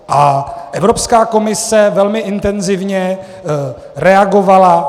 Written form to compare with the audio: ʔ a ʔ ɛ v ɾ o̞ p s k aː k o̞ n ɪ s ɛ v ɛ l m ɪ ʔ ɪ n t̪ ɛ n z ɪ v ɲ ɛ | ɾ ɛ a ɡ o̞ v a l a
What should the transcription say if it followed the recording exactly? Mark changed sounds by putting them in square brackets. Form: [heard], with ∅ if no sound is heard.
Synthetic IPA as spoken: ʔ a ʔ ɛ v ɾ o̞ p s k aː k o̞ [m] ɪ s ɛ v ɛ l m ɪ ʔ ɪ n t̪ ɛ n z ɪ v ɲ ɛ | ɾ ɛ a ɡ o̞ v a l a